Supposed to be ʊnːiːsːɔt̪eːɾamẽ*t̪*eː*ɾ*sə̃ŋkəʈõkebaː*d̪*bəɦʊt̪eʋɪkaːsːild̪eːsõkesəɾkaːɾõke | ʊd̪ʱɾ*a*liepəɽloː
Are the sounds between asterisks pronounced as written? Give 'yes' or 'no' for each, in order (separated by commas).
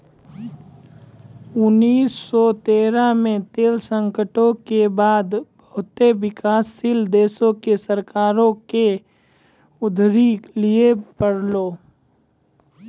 yes, no, yes, no